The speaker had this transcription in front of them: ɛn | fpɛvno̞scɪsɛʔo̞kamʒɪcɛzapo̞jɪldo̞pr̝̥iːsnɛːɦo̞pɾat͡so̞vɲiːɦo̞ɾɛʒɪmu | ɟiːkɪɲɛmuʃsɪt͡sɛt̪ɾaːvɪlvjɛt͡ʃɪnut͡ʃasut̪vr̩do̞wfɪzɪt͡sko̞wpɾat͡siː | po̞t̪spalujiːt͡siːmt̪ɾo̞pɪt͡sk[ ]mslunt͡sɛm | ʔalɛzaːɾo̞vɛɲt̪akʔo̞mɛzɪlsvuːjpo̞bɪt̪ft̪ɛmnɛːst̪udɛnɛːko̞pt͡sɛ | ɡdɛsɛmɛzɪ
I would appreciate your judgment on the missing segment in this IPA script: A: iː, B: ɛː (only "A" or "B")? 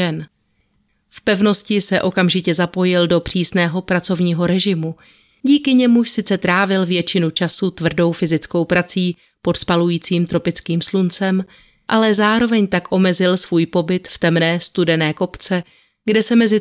A